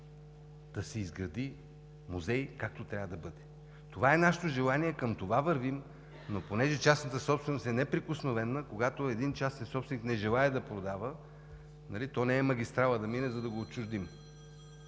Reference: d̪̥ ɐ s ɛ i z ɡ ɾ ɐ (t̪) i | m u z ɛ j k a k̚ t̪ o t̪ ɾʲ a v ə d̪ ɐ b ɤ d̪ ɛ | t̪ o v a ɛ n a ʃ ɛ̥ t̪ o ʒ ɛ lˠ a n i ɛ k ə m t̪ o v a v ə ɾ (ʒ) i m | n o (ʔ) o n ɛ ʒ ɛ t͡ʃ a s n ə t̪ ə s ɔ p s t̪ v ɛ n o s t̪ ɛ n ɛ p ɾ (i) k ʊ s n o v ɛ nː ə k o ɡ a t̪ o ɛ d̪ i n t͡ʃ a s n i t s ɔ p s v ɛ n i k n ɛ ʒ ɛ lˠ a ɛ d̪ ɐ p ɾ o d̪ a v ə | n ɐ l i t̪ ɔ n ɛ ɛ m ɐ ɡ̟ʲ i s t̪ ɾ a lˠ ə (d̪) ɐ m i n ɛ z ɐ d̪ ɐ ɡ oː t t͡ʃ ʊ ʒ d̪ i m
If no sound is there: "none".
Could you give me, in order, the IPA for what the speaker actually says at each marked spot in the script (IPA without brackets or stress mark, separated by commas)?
d̪, v, p, i, d̪